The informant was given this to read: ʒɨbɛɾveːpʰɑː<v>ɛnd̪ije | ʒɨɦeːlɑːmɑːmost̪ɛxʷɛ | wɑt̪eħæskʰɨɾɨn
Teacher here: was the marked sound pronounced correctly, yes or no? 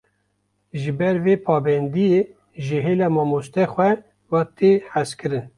no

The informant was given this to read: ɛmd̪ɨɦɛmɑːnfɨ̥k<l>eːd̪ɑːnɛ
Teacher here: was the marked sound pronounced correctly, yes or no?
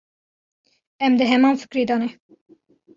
no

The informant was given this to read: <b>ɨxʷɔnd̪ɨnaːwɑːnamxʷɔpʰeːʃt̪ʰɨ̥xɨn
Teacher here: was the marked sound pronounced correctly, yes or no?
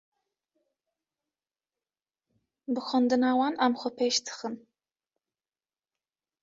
yes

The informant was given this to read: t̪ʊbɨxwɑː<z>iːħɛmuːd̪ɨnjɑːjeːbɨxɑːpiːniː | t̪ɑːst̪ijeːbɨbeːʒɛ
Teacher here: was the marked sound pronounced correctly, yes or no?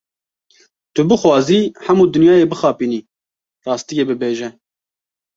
yes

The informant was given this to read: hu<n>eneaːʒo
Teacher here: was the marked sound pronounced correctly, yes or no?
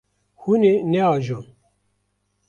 yes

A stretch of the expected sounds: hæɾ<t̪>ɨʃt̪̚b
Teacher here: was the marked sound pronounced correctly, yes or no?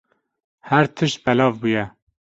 no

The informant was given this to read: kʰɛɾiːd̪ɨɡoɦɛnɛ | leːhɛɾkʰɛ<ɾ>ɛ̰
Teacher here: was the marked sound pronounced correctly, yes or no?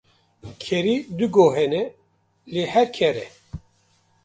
yes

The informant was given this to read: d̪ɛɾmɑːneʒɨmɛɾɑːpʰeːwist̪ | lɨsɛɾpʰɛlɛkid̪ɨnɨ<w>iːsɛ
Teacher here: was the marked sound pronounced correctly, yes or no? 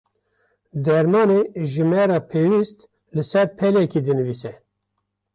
no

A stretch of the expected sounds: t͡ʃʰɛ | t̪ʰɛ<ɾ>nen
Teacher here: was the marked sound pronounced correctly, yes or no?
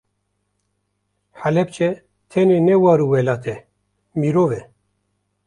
no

